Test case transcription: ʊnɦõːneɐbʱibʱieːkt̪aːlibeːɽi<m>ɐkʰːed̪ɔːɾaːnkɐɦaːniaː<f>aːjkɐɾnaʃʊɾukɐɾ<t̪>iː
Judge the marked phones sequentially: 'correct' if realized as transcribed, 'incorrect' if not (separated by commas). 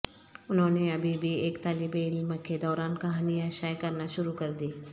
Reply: correct, incorrect, incorrect